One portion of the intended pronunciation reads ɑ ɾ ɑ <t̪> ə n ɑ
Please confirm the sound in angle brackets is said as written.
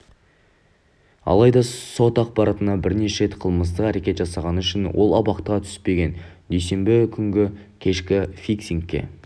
yes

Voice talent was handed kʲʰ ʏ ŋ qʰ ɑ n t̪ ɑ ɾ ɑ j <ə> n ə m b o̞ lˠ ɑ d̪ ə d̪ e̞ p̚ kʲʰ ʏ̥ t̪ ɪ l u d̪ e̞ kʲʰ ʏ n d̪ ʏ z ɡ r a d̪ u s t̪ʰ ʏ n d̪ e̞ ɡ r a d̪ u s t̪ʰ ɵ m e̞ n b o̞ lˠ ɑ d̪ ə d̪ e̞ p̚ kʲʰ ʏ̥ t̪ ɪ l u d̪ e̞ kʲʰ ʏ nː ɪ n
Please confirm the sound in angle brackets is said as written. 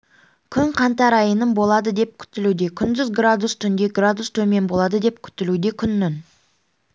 yes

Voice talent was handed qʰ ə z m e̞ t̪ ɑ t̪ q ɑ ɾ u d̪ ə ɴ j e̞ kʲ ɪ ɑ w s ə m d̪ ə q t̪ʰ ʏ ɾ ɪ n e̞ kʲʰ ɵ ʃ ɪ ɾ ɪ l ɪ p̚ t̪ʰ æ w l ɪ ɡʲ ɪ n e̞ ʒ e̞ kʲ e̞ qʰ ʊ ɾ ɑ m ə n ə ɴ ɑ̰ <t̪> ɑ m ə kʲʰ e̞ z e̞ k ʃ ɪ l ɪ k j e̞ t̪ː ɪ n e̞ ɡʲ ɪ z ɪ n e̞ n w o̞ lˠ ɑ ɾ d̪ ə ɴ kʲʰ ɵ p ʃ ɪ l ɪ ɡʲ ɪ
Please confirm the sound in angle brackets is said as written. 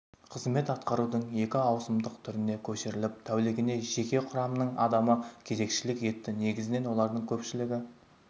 no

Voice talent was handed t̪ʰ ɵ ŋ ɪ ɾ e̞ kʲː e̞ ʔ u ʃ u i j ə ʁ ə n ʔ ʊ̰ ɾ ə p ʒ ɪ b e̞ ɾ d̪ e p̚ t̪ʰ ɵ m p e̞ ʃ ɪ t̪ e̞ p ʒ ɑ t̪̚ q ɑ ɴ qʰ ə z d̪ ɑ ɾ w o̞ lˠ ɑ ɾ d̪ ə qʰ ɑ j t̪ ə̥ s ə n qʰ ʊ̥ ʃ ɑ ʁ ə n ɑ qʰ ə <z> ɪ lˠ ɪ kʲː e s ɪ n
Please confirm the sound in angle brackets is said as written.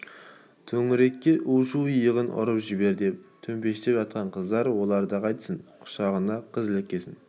yes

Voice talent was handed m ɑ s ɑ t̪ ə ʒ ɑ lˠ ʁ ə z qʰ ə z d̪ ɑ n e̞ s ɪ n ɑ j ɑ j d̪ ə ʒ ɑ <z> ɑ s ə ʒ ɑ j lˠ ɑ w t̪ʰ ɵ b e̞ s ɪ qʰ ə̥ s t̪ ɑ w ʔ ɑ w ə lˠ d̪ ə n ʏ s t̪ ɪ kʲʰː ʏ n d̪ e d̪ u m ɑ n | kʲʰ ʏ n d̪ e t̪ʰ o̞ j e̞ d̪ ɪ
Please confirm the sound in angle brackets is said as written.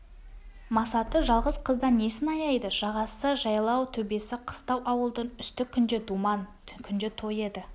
no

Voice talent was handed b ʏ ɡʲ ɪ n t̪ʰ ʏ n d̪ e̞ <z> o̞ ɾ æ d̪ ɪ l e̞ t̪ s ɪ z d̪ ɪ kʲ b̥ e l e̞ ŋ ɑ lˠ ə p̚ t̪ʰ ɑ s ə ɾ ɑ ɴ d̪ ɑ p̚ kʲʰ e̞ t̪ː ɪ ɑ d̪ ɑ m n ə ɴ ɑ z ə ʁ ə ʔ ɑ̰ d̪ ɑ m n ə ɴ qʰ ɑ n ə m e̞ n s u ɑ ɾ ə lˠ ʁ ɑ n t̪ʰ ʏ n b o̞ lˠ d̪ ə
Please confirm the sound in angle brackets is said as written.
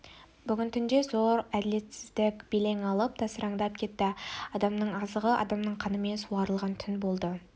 yes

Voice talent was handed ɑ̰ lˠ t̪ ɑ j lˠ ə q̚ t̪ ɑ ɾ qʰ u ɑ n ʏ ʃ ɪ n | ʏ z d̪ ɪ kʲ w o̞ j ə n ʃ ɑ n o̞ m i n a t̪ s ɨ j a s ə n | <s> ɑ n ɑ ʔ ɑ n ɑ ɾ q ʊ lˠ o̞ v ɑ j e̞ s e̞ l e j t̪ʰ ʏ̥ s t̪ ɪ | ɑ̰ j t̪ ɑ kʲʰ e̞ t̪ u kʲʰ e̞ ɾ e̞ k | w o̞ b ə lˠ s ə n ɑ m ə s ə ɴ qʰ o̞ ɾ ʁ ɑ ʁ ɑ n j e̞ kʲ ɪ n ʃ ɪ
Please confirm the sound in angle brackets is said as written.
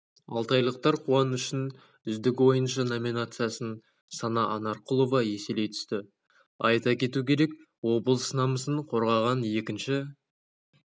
yes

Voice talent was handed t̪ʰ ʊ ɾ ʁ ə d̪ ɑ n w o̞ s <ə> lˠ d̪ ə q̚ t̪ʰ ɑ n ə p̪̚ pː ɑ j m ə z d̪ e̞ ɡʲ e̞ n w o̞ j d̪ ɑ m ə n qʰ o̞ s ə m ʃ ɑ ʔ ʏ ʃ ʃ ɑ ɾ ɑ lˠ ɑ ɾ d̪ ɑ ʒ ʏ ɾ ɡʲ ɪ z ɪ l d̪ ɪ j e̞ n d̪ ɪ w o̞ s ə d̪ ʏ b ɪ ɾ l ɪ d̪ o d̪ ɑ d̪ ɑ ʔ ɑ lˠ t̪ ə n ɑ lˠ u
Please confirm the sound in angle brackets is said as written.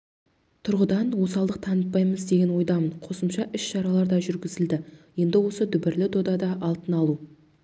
no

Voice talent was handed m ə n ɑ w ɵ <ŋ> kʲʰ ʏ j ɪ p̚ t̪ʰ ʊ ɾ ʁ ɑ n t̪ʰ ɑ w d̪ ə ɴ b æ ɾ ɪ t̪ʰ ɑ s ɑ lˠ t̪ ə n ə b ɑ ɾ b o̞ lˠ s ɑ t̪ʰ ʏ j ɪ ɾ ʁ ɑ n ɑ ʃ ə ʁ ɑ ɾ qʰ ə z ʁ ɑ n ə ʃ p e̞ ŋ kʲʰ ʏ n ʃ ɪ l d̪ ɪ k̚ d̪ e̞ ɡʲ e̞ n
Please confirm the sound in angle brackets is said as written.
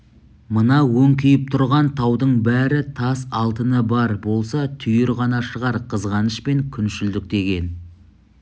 yes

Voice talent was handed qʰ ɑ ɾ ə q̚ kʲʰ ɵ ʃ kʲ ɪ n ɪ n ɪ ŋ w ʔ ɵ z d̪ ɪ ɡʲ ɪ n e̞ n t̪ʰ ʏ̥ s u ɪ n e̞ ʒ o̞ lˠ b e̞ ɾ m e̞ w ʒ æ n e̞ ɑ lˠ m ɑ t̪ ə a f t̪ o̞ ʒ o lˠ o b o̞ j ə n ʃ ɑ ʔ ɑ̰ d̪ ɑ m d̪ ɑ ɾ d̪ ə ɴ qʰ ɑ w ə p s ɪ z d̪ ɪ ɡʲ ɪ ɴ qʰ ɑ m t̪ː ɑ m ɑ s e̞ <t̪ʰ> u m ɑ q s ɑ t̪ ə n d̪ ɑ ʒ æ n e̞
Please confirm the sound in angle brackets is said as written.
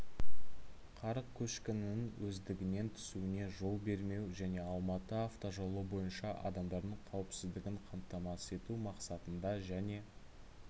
no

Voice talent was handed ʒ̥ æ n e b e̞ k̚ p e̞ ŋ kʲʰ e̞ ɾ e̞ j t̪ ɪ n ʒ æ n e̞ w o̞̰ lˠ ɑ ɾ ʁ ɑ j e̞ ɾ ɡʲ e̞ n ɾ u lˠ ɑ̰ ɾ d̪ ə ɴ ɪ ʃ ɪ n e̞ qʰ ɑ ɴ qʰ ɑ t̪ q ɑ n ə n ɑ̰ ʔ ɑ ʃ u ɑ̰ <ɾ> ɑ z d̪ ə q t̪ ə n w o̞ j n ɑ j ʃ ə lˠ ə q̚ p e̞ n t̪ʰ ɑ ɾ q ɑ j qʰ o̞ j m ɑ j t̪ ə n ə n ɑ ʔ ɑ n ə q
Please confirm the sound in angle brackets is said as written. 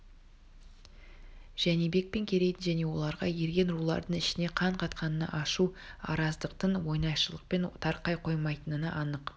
yes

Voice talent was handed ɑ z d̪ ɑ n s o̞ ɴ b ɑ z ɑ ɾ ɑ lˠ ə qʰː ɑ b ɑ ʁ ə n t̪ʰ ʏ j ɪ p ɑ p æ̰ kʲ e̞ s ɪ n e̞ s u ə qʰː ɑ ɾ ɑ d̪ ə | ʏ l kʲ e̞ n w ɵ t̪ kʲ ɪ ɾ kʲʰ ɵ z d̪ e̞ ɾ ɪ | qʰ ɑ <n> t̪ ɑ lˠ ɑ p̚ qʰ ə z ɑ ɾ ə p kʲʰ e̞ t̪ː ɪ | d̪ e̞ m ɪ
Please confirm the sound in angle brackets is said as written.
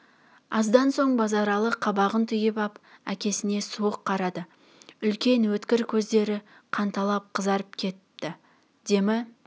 yes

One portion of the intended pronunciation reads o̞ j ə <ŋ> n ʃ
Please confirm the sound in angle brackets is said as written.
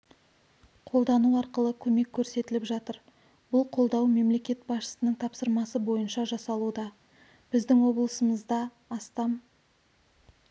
no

